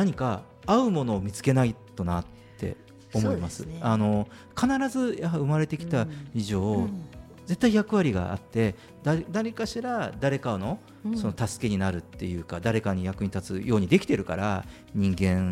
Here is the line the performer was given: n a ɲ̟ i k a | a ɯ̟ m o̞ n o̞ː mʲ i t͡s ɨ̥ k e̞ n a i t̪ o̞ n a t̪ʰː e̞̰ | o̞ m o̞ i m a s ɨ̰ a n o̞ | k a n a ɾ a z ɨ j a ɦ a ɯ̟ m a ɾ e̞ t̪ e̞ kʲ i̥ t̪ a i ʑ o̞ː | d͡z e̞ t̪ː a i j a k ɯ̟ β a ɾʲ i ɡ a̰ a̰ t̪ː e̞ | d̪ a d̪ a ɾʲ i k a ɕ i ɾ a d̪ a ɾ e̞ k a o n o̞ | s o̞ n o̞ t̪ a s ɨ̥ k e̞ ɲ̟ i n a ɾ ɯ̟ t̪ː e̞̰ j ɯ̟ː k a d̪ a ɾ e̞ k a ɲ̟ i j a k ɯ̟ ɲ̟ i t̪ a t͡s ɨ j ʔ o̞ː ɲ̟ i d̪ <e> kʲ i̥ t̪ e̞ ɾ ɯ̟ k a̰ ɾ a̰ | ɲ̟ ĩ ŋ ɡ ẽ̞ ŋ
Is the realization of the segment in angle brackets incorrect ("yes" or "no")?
no